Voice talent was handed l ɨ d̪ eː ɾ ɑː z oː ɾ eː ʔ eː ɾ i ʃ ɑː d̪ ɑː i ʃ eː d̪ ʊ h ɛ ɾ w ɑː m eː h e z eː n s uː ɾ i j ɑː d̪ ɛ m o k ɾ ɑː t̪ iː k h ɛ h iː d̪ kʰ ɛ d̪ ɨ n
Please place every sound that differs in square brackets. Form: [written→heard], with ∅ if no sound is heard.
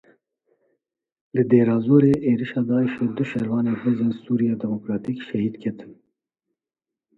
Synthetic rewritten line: l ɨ d̪ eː ɾ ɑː z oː ɾ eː ʔ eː ɾ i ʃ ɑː d̪ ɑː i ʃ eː d̪ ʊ [h→ʃ] ɛ ɾ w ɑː [m→n] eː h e z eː n s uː ɾ i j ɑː d̪ ɛ m o k ɾ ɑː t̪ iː k [h→ʃ] ɛ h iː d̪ kʰ ɛ [d̪→t̪] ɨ n